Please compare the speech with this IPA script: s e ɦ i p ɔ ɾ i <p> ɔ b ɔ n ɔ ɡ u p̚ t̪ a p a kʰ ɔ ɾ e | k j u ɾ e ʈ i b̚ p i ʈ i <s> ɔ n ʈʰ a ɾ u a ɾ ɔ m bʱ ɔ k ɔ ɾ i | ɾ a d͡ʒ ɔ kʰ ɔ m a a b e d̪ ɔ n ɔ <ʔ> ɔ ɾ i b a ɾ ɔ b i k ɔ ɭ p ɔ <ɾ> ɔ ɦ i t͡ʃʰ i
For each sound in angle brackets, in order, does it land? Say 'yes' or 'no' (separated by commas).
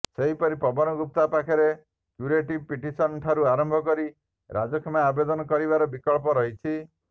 yes, yes, no, yes